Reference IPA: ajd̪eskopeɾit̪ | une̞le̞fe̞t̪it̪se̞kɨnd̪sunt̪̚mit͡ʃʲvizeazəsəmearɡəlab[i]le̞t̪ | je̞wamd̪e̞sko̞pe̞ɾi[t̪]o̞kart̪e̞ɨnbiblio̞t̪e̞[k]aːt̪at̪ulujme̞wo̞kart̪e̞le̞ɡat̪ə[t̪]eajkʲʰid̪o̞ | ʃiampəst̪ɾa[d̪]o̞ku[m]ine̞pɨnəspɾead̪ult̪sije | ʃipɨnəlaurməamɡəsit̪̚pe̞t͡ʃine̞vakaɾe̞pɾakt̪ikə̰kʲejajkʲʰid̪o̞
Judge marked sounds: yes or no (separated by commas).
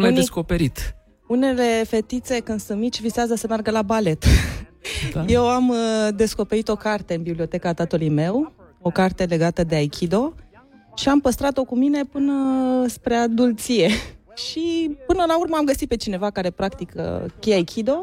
no, yes, yes, no, no, yes